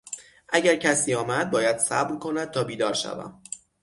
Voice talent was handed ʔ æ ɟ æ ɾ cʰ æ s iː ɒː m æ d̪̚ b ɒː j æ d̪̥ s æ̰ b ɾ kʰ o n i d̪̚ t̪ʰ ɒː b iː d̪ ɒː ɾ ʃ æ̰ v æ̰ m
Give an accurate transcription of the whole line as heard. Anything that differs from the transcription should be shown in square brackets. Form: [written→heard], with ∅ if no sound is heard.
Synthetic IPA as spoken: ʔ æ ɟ æ ɾ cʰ æ s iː ɒː m æ d̪̚ b ɒː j æ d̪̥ s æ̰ b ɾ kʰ o n [i→æ] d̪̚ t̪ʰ ɒː b iː d̪ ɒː ɾ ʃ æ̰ v æ̰ m